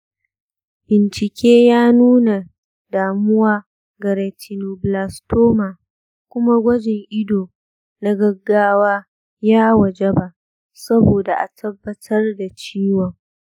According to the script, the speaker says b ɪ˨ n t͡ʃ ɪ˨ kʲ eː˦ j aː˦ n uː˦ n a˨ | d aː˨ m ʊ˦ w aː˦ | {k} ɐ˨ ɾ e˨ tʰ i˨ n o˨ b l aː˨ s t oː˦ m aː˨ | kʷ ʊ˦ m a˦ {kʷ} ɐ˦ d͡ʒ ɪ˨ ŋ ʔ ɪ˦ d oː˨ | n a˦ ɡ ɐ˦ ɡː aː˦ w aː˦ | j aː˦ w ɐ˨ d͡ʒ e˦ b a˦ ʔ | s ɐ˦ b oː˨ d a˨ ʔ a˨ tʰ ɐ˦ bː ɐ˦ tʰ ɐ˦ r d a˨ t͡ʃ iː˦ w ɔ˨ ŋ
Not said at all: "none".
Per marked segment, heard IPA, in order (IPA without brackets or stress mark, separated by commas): ɡ, ɡʷ